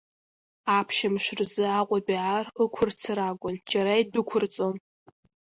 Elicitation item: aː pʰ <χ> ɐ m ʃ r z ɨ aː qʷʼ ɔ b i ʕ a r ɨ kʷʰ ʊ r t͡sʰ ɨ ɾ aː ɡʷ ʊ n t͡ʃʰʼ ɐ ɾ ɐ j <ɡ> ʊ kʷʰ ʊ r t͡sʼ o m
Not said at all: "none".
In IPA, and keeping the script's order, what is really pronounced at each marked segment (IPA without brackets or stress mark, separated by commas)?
ʃ, d